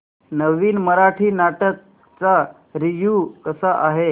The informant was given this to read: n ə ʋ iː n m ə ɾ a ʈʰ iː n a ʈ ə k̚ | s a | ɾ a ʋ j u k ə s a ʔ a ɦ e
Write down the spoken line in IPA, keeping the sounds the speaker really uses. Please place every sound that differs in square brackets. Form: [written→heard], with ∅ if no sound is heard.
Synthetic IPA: n ə ʋ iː n m ə ɾ a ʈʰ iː n a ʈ ə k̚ | [s→t͡s] a | ɾ [a→i] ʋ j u k ə s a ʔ a ɦ e